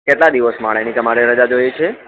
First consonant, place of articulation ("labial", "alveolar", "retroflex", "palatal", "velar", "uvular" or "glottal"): velar